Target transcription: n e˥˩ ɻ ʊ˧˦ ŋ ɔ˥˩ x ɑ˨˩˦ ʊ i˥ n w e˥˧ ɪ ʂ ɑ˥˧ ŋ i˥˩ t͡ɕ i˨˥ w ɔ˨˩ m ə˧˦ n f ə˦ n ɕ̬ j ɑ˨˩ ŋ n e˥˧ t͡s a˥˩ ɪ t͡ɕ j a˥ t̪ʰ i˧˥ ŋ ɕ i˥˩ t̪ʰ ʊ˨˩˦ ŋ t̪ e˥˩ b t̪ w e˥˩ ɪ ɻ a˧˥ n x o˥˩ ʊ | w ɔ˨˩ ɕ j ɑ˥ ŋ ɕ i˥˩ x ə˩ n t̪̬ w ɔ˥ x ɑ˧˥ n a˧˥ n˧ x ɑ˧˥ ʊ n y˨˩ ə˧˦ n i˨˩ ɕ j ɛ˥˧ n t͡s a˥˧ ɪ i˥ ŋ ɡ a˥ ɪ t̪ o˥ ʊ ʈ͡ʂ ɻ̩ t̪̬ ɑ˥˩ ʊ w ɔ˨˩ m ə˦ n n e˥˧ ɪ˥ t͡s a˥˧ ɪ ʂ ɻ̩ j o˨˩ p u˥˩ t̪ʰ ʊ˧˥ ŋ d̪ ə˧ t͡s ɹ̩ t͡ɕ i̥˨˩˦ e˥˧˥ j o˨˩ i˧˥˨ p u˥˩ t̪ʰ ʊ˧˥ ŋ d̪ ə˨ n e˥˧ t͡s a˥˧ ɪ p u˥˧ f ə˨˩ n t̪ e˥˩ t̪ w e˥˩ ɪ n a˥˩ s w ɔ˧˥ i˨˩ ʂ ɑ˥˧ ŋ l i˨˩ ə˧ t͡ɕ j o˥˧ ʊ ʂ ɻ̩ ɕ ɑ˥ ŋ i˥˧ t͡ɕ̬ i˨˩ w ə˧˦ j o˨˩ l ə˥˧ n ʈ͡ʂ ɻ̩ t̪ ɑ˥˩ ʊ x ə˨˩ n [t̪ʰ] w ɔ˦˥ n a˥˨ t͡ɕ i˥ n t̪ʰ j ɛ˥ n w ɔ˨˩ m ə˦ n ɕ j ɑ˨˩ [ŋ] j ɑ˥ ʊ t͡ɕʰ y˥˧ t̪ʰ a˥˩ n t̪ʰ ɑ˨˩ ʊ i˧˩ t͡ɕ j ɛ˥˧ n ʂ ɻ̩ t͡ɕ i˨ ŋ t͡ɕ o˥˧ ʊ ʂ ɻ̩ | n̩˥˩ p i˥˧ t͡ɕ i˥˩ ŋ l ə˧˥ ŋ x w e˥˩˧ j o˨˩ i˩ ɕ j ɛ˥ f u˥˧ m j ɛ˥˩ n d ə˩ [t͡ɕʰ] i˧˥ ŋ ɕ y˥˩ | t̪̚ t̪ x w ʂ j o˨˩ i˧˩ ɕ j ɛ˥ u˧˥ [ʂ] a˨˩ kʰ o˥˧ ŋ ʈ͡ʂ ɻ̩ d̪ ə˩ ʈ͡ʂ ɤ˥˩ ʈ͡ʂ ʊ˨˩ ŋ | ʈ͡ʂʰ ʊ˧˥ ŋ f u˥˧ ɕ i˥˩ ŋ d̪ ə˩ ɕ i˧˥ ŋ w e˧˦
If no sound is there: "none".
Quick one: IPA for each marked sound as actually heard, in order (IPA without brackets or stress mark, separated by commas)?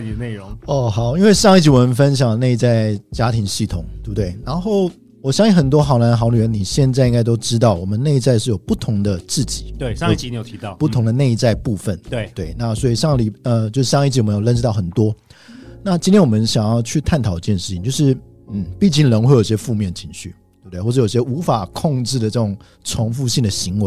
t̪, ŋ, t͡ɕʰ, f